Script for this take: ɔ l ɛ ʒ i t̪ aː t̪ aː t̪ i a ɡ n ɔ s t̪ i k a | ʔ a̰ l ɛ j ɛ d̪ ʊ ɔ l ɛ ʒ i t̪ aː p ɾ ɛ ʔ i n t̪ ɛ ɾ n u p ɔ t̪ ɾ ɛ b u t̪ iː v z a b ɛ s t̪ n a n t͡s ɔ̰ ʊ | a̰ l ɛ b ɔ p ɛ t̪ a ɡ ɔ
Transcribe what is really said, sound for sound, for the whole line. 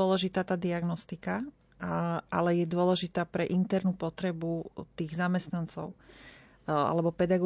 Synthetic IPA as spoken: ɔ l ɛ ʒ i t̪ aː t̪ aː d̪ i a ɡ n ɔ s t̪ i k a | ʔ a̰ l ɛ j ɛ d̪ ʊ ɔ l ɛ ʒ i t̪ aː p ɾ ɛ ʔ i n t̪ ɛ ɾ n u p ɔ t̪ ɾ ɛ b u t̪ iː ɣ z a m ɛ s t̪ n a n t͡s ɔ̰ ʊ | a̰ l ɛ b ɔ p ɛ d̪ a ɡ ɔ